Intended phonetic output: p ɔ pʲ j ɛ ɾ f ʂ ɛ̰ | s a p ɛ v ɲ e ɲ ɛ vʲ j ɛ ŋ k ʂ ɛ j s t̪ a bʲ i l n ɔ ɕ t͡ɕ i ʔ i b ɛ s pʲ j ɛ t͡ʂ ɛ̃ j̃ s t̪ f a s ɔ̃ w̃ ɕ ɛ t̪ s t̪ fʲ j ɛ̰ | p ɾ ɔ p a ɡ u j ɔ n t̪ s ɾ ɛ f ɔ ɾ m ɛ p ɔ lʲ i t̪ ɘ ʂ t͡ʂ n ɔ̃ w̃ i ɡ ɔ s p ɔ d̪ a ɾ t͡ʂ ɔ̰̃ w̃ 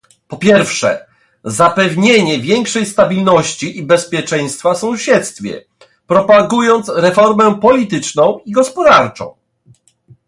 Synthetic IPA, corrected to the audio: p ɔ pʲ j ɛ ɾ f ʂ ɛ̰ | z a p ɛ v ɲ e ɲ ɛ vʲ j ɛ ŋ k ʂ ɛ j s t̪ a bʲ i l n ɔ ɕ t͡ɕ i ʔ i b ɛ s pʲ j ɛ t͡ʂ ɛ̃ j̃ s t̪ f a s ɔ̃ w̃ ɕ ɛ t̪ s t̪ fʲ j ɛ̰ | p ɾ ɔ p a ɡ u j ɔ n t̪ s ɾ ɛ f ɔ ɾ m ɛ p ɔ lʲ i t̪ ɘ t͡ʂ n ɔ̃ w̃ i ɡ ɔ s p ɔ d̪ a ɾ t͡ʂ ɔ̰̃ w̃

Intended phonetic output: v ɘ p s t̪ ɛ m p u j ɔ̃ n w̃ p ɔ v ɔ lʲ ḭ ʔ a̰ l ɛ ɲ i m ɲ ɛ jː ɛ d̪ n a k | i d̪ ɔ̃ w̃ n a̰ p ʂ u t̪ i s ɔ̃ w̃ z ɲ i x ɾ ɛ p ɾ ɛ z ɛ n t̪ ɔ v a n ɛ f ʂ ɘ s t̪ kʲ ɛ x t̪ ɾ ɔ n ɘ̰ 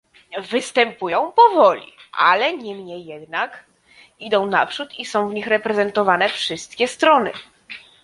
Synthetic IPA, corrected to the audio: v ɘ s t̪ ɛ m p u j ɔ̃ w̃ p ɔ v ɔ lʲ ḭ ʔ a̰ l ɛ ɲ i m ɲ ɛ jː ɛ d̪ n a k | i d̪ ɔ̃ w̃ n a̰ p ʂ u t̪ i s ɔ̃ w̃ v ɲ i x ɾ ɛ p ɾ ɛ z ɛ n t̪ ɔ v a n ɛ f ʂ ɘ s t̪ kʲ ɛ s t̪ ɾ ɔ n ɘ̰

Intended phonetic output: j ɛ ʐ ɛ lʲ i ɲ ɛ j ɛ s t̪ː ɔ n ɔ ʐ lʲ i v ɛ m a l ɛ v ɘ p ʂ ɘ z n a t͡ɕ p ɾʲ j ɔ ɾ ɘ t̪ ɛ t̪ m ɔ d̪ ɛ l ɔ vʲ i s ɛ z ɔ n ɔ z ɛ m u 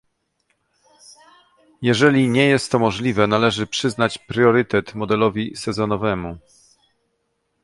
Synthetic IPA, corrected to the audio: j ɛ ʐ ɛ lʲ i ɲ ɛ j ɛ s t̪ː ɔ m ɔ ʐ lʲ i v ɛ n a l ɛ ʐ ɘ p ʂ ɘ z n a t͡ɕ p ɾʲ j ɔ ɾ ɘ t̪ ɛ t̪ m ɔ d̪ ɛ l ɔ vʲ i s ɛ z ɔ n ɔ v ɛ m u

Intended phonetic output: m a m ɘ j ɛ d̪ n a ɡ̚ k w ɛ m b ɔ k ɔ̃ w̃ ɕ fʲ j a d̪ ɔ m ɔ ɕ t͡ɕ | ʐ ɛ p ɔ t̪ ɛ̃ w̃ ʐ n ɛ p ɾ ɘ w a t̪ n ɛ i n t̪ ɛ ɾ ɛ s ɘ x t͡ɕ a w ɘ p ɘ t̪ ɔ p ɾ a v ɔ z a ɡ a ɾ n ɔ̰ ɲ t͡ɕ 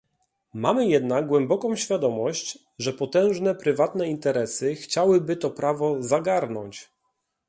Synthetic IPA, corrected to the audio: m a m ɘ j ɛ d̪ n a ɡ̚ ɡ w ɛ m b ɔ k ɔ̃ w̃ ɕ fʲ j a d̪ ɔ m ɔ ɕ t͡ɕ | ʐ ɛ p ɔ t̪ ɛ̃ w̃ ʐ n ɛ p ɾ ɘ v a t̪ n ɛ i n t̪ ɛ ɾ ɛ s ɘ x t͡ɕ a w ɘ b ɘ t̪ ɔ p ɾ a v ɔ z a ɡ a ɾ n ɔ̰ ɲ t͡ɕ

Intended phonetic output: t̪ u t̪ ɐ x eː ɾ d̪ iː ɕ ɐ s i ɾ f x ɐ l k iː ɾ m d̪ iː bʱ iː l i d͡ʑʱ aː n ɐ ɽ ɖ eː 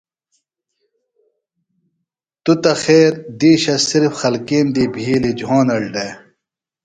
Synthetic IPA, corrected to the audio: t̪ u t̪ ɐ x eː ɾ d̪ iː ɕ ɐ s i ɾ f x ɐ l k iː m d̪ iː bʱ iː l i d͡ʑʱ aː n ɐ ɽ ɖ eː

